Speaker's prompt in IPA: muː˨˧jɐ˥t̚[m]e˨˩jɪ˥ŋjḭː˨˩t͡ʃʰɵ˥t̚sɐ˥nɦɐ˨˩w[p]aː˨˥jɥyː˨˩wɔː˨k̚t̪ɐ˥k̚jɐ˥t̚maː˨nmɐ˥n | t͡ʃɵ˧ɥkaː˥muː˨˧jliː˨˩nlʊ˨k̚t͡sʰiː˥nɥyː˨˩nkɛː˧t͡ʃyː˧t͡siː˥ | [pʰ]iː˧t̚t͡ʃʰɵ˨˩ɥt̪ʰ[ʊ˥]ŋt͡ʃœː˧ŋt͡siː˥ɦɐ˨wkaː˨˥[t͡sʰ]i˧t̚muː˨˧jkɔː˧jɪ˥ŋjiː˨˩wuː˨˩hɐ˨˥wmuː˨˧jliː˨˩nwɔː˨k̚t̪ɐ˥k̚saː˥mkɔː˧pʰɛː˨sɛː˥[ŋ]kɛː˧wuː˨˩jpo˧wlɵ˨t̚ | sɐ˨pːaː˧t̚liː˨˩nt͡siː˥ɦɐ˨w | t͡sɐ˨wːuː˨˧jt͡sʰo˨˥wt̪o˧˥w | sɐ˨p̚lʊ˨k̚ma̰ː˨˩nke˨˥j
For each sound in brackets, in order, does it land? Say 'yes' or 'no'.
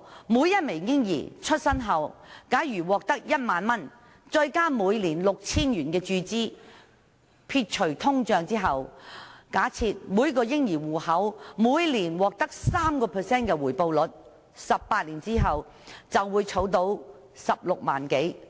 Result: yes, no, yes, yes, yes, no

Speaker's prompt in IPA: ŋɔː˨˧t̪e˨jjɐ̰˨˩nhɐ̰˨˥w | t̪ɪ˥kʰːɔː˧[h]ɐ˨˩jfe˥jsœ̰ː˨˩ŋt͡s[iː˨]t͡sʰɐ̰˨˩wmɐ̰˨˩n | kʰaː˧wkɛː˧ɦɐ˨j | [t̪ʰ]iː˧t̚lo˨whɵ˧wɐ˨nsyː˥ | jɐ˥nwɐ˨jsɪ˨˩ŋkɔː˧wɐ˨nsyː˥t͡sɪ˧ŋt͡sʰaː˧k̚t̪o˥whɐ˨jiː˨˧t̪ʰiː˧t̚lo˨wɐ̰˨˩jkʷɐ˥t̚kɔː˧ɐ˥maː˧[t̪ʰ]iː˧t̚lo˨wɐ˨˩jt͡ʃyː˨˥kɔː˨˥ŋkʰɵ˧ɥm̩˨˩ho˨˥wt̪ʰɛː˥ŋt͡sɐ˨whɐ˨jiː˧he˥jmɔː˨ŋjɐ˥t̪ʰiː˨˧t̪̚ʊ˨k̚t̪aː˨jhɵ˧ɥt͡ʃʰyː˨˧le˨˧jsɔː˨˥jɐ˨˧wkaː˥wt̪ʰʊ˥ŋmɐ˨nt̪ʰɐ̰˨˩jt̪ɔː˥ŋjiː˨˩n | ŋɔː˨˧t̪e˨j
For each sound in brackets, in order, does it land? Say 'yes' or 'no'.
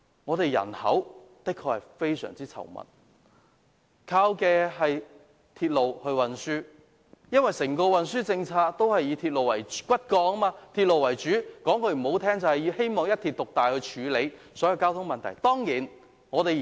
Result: yes, no, yes, yes

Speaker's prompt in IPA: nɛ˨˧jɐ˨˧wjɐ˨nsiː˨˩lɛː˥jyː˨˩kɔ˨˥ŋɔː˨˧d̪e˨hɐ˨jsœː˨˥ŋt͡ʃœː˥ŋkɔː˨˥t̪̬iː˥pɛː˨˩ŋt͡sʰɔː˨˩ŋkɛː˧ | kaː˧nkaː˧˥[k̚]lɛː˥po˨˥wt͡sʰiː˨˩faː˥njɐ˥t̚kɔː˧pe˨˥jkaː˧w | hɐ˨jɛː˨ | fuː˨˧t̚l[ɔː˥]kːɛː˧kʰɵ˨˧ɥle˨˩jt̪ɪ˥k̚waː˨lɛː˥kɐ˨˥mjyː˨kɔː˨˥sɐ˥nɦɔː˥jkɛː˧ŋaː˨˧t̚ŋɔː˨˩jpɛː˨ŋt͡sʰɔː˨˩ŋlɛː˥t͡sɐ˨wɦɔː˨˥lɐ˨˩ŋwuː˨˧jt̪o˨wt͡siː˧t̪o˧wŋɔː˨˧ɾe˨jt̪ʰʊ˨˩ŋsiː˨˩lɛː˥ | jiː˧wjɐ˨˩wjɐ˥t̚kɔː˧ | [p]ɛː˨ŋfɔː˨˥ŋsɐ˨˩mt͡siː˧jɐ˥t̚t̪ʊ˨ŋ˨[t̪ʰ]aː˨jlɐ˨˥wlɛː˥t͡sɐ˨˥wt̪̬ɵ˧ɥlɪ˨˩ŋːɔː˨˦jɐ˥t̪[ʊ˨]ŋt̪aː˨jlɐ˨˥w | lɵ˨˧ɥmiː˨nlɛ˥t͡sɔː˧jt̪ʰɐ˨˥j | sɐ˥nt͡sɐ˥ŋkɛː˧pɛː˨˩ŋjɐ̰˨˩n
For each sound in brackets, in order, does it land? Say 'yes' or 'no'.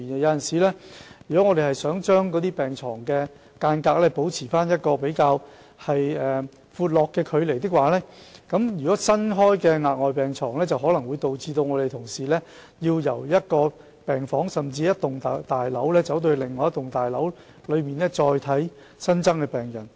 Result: yes, no, yes, no, yes

